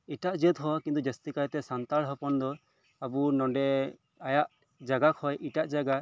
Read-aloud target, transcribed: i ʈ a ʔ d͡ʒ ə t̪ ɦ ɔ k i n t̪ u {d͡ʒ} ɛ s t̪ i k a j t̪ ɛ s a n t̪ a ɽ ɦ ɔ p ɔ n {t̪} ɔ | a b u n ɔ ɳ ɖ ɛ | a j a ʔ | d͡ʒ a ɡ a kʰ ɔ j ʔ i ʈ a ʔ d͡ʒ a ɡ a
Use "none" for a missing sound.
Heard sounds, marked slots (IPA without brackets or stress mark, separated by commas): d͡ʒ, d̪